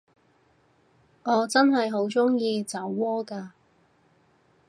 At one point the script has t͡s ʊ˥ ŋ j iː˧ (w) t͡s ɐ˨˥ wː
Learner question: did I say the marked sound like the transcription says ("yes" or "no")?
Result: no